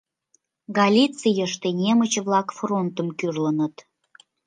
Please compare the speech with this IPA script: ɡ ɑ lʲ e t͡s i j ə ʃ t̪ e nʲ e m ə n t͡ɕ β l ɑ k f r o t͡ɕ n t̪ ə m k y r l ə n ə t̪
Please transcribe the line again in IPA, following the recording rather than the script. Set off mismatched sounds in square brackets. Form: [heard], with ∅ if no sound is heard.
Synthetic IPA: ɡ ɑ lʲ [i] t͡s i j ə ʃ t̪ e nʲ e m ə [∅] t͡ɕ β l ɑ k f r o [∅] n t̪ ə m k y r l ə n ə t̪